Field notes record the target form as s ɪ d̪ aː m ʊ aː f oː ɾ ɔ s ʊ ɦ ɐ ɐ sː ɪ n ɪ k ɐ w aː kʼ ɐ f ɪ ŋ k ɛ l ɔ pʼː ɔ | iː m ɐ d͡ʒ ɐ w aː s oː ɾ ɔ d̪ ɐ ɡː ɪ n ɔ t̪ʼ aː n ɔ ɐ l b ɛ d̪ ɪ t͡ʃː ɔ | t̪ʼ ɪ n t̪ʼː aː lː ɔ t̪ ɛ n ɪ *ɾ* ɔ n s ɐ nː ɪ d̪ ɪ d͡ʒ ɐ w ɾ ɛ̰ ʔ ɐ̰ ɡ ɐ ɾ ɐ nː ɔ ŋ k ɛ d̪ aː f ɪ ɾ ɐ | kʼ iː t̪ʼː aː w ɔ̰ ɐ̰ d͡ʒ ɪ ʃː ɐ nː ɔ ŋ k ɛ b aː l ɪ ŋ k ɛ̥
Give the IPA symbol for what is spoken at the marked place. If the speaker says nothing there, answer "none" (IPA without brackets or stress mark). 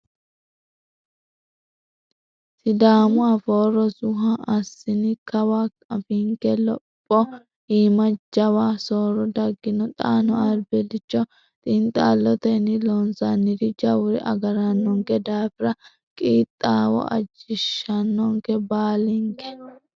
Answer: l